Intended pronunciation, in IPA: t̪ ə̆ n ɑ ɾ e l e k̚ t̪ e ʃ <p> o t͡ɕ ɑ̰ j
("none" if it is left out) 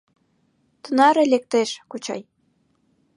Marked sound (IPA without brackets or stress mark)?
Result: k